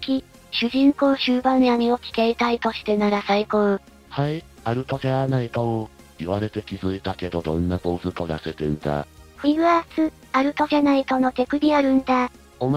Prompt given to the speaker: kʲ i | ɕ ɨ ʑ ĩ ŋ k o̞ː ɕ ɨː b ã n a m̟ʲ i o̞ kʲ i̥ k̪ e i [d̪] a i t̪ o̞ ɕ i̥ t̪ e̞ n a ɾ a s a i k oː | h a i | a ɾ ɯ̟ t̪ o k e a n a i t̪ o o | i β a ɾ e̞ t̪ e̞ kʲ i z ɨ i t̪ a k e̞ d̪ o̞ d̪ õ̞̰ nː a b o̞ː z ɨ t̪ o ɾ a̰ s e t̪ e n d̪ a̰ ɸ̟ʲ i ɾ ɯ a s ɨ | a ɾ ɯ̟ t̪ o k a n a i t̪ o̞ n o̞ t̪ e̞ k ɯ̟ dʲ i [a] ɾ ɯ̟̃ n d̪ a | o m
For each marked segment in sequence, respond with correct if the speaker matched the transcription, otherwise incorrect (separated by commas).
incorrect, correct